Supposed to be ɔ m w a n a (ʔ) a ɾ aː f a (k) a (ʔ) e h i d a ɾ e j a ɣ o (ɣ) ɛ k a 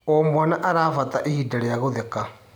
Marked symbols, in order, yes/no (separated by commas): yes, no, yes, no